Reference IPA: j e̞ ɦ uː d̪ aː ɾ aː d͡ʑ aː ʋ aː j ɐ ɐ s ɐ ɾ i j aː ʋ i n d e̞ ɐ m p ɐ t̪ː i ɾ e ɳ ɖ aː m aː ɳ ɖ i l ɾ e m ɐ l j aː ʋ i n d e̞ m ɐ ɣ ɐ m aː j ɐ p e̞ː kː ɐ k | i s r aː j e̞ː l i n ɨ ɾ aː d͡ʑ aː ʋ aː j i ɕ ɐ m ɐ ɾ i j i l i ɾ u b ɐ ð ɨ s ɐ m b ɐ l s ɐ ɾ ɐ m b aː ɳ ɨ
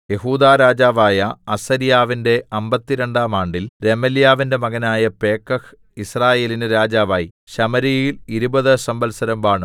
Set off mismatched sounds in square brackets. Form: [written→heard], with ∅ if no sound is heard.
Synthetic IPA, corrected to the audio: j e̞ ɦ uː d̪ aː ɾ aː d͡ʑ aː ʋ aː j ɐ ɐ s ɐ ɾ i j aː ʋ i n d e̞ ɐ m [p→b] ɐ t̪ː i ɾ e ɳ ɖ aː m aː ɳ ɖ i l ɾ e m ɐ l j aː ʋ i n d e̞ m ɐ ɣ ɐ [m→n] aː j ɐ p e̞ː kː ɐ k | i s r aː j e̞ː l i n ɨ ɾ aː d͡ʑ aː ʋ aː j i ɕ ɐ m ɐ ɾ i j i l i ɾ u b ɐ ð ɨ s ɐ m b ɐ l s ɐ ɾ ɐ m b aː ɳ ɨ

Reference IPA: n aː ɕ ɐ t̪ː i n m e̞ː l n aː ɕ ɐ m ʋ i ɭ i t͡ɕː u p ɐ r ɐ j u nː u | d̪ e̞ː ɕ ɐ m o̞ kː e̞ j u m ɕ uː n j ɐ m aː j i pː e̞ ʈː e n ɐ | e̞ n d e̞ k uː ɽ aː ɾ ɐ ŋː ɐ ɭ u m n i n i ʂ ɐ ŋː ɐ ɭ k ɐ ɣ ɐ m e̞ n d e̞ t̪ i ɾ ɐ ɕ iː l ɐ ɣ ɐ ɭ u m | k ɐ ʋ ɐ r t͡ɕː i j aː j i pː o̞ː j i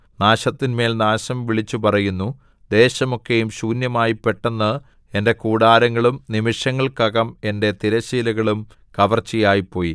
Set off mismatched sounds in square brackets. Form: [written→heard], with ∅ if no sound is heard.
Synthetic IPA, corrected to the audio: n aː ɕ ɐ t̪ː i n m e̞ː l n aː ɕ ɐ m ʋ i ɭ i t͡ɕː u p ɐ r ɐ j u nː u | d̪ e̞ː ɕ ɐ m o̞ kː e̞ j u m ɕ uː n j ɐ m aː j i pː e̞ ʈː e [n→nː] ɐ | e̞ n d e̞ k uː ɽ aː ɾ ɐ ŋː ɐ ɭ u m n i [n→m] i ʂ ɐ ŋː ɐ ɭ k ɐ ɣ ɐ m e̞ n d e̞ t̪ i ɾ ɐ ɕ iː l ɐ ɣ ɐ ɭ u m | k ɐ ʋ ɐ r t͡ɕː i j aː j i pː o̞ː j i

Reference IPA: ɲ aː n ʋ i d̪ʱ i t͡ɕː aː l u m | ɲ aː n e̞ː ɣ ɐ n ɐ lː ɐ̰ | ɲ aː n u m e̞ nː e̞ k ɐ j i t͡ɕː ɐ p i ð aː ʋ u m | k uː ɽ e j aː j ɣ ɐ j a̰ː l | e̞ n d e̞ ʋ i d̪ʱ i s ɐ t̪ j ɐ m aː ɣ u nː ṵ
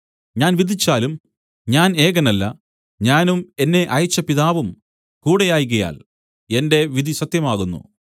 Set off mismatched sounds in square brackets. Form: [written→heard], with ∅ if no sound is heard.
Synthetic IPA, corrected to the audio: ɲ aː n ʋ i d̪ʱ i t͡ɕː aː l u m | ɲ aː n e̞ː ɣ ɐ n ɐ lː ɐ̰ | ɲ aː n u m e̞ nː e̞ [k→ʔ] ɐ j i t͡ɕː ɐ p i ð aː ʋ u m | k uː ɽ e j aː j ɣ ɐ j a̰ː l | e̞ n d e̞ ʋ i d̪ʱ i s ɐ t̪ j ɐ m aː ɣ u nː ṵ

